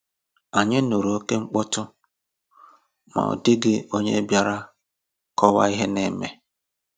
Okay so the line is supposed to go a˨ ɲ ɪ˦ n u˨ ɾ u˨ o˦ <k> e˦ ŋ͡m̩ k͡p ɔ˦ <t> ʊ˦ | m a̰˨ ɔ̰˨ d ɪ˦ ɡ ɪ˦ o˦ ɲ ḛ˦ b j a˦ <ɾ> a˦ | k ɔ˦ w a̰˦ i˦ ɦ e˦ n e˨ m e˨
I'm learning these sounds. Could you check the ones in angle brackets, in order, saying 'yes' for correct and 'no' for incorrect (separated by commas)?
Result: yes, yes, yes